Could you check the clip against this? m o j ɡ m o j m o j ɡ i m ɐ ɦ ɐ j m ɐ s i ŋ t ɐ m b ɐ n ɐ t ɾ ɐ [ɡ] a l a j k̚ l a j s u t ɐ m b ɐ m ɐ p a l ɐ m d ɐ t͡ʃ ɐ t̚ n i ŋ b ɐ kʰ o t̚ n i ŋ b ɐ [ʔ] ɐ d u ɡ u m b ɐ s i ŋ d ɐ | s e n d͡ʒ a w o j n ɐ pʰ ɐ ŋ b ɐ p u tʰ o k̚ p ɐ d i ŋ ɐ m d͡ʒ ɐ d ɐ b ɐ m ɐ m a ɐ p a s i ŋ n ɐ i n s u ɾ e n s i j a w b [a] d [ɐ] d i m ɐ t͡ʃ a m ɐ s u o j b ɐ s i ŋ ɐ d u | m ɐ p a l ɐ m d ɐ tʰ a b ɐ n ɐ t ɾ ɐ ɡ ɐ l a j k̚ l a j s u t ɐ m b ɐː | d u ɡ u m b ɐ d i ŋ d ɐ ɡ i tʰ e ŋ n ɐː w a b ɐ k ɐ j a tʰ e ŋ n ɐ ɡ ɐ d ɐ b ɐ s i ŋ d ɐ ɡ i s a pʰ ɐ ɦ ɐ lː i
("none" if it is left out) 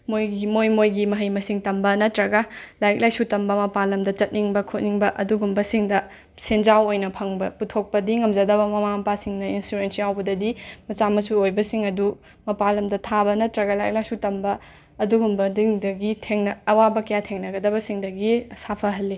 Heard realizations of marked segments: ɡ, ʔ, ɐ, ɐ

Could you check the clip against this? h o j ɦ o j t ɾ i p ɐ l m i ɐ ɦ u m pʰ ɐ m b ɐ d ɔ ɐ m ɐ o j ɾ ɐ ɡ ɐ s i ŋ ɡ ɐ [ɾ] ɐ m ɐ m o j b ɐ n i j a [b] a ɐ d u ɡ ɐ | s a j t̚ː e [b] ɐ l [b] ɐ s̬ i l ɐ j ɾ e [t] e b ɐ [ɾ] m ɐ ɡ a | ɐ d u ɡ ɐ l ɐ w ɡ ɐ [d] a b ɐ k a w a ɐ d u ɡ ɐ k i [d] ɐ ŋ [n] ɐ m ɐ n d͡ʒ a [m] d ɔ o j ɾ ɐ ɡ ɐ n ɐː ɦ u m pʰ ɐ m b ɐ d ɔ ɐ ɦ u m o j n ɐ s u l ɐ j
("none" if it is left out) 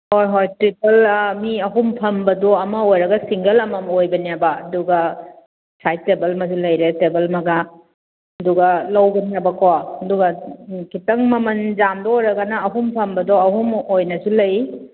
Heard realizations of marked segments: l, b, b, m, t, l, n, t, m, m

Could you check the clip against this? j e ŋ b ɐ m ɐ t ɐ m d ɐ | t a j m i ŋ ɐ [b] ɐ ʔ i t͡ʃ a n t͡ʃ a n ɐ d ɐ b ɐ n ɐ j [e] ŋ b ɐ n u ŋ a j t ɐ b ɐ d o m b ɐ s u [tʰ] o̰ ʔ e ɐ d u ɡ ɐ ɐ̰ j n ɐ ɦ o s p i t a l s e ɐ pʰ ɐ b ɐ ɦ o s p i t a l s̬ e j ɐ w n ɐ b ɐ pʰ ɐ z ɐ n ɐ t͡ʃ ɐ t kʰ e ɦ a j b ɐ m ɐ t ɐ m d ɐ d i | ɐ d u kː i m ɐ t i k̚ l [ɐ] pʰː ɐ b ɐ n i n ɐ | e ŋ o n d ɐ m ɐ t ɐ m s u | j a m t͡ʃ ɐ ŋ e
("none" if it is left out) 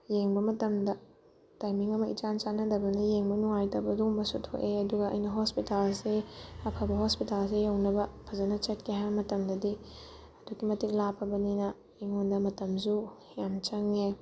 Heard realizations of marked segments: m, e, tʰ, a

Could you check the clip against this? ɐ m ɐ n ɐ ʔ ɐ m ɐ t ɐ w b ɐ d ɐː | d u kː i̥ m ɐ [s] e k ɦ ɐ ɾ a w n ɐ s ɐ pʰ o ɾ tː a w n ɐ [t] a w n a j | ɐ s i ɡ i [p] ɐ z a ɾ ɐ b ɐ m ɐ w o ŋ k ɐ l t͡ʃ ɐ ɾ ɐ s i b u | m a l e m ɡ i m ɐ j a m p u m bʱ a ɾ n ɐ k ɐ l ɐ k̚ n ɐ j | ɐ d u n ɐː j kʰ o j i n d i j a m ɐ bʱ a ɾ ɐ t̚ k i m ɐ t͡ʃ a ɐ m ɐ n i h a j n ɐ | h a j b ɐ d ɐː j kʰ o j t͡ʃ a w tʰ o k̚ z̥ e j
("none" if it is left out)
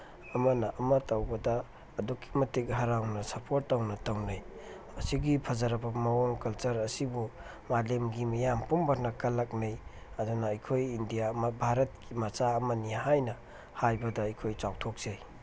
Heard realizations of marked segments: t, t, pʰ

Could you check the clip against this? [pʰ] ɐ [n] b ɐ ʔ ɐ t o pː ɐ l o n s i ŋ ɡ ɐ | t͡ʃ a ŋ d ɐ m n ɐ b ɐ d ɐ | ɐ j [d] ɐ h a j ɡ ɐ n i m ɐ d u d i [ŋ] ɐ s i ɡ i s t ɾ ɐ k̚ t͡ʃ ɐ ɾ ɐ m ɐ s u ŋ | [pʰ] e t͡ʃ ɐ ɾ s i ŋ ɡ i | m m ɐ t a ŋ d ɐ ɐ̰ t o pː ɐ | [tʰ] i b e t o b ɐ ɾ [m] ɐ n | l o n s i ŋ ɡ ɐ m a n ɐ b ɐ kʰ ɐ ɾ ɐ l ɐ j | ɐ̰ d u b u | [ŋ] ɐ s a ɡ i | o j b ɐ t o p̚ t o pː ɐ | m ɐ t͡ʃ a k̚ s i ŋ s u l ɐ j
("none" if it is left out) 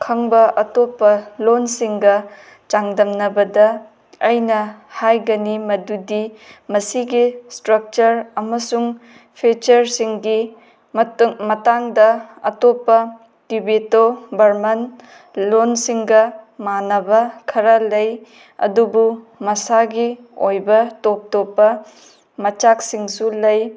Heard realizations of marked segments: kʰ, ŋ, n, m, pʰ, t, m, m

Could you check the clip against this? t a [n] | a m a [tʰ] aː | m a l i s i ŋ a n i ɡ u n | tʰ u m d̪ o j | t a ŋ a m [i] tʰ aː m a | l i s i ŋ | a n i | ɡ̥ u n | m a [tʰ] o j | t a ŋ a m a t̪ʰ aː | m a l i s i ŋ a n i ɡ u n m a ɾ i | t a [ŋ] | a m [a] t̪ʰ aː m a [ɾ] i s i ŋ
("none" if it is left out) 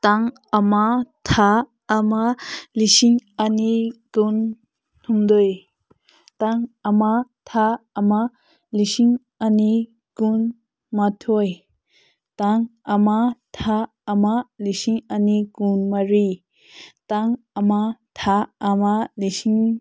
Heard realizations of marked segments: ŋ, tʰ, a, tʰ, ŋ, a, l

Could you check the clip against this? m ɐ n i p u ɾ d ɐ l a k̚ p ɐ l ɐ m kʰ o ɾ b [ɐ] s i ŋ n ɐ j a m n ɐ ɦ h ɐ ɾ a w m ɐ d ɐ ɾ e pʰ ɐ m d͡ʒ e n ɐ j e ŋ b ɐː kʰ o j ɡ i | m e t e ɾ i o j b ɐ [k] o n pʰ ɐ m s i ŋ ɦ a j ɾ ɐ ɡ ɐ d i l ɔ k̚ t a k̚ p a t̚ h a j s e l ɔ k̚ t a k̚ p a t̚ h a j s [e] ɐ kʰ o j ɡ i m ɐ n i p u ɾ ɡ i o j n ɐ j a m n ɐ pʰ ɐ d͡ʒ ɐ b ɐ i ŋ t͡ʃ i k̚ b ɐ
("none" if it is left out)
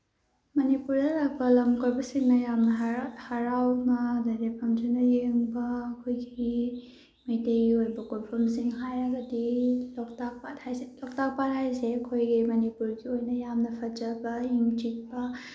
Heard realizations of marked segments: ɐ, k, e

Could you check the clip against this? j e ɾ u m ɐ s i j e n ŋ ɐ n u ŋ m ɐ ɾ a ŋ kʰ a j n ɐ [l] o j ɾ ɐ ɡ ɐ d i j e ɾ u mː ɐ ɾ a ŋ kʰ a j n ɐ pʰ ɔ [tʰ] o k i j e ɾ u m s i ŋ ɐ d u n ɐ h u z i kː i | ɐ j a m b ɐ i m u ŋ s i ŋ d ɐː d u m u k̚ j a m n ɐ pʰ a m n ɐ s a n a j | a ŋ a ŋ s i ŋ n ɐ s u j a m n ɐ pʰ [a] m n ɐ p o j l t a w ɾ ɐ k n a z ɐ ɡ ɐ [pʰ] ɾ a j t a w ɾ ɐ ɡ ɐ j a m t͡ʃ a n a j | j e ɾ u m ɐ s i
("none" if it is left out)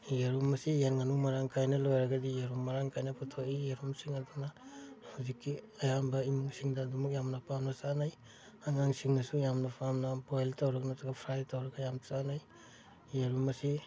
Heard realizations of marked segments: l, tʰ, a, pʰ

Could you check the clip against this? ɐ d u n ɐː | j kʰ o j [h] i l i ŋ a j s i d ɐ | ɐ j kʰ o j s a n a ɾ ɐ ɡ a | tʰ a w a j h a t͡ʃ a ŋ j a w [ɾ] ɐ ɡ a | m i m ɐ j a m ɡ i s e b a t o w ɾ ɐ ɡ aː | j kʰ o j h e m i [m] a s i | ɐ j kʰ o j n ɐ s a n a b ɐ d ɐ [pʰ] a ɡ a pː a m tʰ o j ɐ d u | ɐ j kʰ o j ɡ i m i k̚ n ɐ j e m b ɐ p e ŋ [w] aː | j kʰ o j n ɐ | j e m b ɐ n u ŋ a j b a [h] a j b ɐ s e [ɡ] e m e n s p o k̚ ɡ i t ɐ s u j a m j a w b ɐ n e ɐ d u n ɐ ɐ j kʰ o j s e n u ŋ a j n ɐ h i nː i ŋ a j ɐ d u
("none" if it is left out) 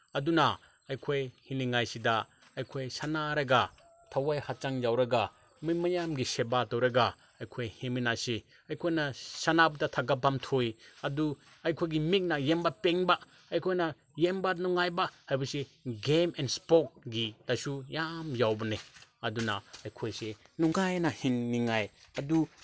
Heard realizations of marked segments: h, ɾ, n, tʰ, b, h, ɡ

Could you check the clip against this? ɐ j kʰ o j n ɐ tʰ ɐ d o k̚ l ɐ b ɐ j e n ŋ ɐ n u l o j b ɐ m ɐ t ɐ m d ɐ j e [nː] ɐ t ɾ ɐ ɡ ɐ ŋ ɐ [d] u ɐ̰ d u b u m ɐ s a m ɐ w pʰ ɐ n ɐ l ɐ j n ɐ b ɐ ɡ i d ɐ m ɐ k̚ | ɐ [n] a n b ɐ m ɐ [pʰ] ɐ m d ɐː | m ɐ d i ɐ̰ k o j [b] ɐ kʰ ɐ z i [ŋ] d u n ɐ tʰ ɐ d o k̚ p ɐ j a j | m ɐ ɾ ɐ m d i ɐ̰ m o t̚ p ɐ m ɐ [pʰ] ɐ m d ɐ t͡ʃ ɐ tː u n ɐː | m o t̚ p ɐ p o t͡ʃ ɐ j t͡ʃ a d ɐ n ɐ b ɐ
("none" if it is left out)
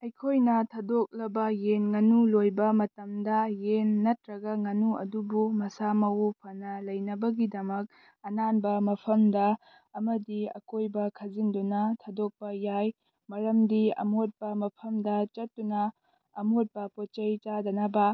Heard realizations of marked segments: nː, n, n, pʰ, b, n, pʰ

